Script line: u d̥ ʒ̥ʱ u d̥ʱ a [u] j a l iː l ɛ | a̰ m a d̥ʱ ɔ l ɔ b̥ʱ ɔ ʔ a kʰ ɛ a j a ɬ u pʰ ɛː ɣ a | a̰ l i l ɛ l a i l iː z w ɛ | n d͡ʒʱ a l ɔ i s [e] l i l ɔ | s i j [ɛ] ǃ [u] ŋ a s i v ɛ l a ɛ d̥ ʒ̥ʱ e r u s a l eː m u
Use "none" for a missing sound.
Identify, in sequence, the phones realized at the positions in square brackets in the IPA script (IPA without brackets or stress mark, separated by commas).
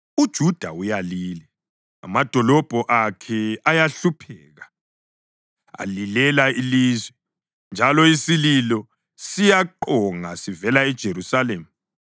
u, i, a, ɔ